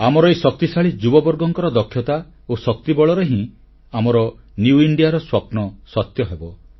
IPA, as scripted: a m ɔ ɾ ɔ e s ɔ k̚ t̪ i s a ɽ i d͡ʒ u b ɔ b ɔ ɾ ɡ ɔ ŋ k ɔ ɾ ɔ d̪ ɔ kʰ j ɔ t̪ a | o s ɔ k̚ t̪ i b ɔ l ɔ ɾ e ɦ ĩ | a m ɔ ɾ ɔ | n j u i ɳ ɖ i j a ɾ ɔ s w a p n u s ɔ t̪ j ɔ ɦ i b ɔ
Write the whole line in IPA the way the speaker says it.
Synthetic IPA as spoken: a m ɔ ɾ ɔ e s ɔ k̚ t̪ i s a ɭ i d͡ʒ u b ɔ b ɔ ɾ ɡ ɔ ŋ k ɔ ɾ ɔ d̪ ɔ kʰ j ɔ t̪ a | o s ɔ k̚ t̪ i b ɔ ɭ ɔ ɾ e ɦ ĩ | a m ɔ ɾ ɔ | n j u i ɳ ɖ i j a ɾ ɔ s w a p n ɔ s ɔ t̪ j ɔ ɦ e b ɔ